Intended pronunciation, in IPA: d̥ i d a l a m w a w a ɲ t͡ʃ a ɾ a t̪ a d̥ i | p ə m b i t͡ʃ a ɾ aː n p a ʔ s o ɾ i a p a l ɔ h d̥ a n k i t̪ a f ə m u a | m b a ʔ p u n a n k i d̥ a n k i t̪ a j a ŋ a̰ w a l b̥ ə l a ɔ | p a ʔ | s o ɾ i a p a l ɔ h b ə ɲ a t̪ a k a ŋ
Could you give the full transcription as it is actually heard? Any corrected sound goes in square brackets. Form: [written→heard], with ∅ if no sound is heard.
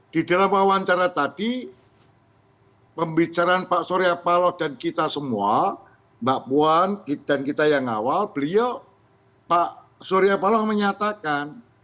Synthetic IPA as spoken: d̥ i d a l a m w a w a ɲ t͡ʃ a ɾ a t̪ a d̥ i | p ə m b i t͡ʃ a ɾ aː n p a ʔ s o ɾ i a p a l ɔ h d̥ a n k i t̪ a [f→s] ə m u a | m b a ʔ p u [n→∅] a n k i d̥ a n k i t̪ a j a ŋ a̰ w a l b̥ ə l [a→i] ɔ | p a ʔ | s o ɾ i a p a l ɔ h [b→m] ə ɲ a t̪ a k a [ŋ→n]